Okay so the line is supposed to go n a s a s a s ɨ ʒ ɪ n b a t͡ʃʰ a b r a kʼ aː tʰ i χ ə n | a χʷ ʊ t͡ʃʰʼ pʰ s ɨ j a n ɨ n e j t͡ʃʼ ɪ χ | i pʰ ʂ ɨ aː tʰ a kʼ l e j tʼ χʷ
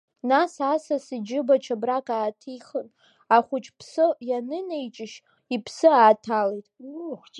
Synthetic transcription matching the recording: n a s a s a s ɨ d͡ʒ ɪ b a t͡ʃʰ a b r a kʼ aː tʰ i χ ə n | a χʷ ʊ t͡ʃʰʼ pʰ s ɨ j a n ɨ n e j t͡ʃʼ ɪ ʃ | i pʰ s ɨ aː tʰ a l e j tʼ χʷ